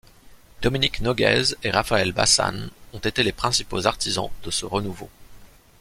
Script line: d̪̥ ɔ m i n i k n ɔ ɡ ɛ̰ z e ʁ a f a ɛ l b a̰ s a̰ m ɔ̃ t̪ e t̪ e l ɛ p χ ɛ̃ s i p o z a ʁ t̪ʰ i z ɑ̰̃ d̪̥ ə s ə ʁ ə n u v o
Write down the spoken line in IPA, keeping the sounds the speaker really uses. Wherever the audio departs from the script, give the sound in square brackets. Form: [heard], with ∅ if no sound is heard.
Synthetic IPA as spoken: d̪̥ ɔ m i n i k n ɔ ɡ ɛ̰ z e ʁ a f a ɛ l b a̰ s a̰ [n] ɔ̃ t̪ e t̪ e l [e] p χ ɛ̃ s i p o z a ʁ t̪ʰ i z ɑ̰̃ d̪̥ ə s ə ʁ ə n u v o